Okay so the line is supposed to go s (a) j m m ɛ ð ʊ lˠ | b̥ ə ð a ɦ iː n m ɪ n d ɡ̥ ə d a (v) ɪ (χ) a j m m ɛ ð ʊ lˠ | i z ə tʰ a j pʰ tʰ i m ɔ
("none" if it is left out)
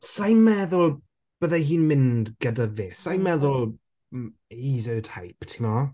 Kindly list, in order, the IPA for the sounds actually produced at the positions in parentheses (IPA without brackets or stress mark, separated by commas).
a, v, s